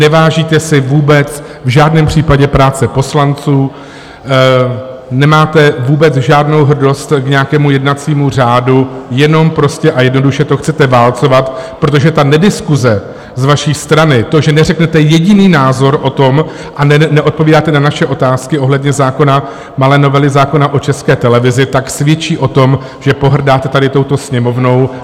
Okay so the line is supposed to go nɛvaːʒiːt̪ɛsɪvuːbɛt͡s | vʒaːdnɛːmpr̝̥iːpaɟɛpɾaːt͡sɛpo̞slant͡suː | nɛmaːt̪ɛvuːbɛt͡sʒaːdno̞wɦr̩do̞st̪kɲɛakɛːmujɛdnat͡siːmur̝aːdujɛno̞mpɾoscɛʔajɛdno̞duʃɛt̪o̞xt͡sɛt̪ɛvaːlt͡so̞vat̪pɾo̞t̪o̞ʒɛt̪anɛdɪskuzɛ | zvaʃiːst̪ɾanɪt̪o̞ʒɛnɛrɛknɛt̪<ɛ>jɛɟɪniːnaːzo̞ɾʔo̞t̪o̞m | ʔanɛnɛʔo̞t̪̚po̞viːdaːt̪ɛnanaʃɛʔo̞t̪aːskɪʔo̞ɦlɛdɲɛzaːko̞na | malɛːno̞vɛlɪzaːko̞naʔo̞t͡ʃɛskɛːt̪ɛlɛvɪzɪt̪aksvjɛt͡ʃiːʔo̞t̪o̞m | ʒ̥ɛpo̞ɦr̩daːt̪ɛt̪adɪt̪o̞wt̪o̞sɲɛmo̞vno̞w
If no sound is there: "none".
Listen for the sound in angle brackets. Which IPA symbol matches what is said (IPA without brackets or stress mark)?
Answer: ɛ